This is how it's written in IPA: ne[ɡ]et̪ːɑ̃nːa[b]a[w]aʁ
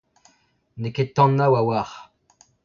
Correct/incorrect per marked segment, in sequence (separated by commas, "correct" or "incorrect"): incorrect, incorrect, correct